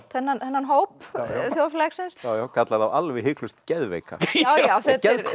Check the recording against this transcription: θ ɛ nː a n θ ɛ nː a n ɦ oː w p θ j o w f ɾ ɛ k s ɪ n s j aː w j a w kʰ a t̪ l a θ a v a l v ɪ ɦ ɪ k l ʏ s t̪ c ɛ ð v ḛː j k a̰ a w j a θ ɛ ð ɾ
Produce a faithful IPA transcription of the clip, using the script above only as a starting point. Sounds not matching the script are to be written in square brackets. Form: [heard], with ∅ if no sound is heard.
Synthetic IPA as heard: θ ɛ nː a n θ ɛ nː a n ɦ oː w p θ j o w f [l] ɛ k s ɪ n s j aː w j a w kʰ a t̪ l a [ð] a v a l v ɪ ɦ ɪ k l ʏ s t̪ c ɛ ð v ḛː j k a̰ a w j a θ ɛ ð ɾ